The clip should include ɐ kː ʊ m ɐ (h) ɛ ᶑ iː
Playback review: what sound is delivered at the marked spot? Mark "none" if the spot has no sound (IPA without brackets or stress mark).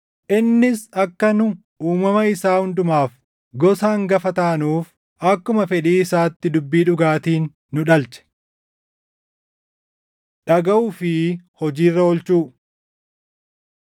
f